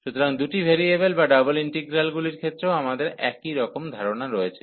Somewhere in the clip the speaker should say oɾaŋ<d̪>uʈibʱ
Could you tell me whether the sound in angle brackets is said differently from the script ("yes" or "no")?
no